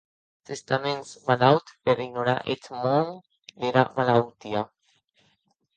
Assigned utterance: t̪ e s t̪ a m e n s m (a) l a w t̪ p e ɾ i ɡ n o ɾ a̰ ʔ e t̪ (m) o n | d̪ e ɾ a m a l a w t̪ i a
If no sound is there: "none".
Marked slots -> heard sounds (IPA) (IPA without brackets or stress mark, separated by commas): a, m